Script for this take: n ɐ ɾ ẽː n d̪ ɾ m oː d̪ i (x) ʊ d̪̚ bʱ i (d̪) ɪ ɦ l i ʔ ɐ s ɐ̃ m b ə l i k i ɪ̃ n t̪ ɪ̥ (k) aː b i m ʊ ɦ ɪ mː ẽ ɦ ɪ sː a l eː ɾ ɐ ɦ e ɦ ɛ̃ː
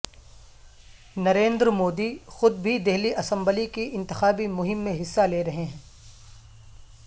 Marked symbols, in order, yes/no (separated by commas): yes, yes, no